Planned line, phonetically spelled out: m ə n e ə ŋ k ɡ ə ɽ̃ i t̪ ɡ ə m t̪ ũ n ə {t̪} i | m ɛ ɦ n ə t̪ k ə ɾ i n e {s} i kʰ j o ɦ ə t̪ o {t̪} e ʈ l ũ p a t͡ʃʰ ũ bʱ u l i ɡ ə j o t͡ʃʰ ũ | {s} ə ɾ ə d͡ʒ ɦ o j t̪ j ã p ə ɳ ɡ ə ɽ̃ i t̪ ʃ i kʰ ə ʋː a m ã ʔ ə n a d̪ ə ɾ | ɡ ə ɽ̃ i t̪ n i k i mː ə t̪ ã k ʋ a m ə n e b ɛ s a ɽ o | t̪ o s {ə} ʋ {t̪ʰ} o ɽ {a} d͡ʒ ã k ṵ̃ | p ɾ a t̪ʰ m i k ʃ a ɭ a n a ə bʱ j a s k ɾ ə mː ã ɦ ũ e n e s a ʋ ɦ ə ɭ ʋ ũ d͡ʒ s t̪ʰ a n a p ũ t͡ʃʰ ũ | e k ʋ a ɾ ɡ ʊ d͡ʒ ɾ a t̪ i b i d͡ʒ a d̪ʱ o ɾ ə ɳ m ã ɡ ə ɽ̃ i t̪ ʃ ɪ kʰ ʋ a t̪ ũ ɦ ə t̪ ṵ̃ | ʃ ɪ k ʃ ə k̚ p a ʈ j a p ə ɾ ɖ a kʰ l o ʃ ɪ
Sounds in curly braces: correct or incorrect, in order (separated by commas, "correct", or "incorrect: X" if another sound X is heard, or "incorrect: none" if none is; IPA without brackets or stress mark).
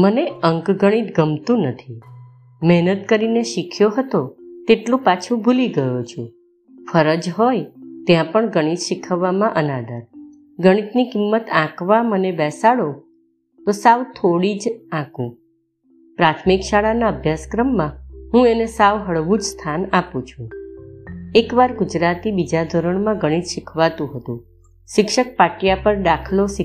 incorrect: t̪ʰ, incorrect: ʃ, correct, incorrect: f, incorrect: a, correct, incorrect: i